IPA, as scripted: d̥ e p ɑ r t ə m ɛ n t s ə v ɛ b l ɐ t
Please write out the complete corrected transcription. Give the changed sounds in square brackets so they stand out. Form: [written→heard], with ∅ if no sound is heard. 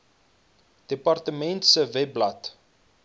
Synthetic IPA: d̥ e p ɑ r t ə m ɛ n t s ə v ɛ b l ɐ t